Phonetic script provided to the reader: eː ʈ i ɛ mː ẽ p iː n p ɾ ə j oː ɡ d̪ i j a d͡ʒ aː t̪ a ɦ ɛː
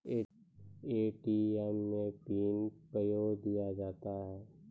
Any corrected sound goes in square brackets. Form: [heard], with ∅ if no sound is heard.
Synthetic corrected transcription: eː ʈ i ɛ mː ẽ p iː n p ɾ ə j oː ɡ d̪ i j a d͡ʒ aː t̪ a ɦ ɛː